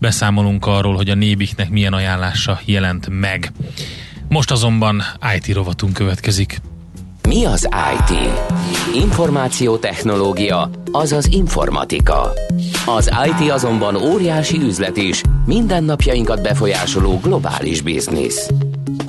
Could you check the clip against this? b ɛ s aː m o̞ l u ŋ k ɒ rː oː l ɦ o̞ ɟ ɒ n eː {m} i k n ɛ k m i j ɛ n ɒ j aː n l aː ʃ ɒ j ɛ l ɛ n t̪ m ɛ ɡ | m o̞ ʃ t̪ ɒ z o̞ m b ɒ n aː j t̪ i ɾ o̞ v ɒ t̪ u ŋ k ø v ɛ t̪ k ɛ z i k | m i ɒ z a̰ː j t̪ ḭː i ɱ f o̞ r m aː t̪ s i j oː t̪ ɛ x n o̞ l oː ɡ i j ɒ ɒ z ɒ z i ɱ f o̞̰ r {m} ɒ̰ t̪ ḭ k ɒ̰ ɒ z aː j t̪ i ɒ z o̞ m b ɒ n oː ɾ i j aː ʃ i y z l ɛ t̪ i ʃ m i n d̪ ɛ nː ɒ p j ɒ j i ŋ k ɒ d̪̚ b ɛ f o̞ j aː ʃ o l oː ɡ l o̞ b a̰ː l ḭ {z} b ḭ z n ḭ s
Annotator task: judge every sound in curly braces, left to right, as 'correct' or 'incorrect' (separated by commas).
incorrect, correct, incorrect